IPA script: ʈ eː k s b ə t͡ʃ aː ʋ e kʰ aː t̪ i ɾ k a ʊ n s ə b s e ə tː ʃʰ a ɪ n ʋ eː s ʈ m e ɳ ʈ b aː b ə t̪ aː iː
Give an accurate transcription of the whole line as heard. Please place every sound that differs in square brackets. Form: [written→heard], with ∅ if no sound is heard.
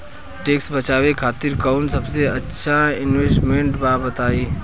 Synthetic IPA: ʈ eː k s b ə t͡ʃ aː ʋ e kʰ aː t̪ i ɾ k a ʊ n s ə b s e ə tː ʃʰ a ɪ n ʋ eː s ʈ m e ɳ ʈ b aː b ə t̪ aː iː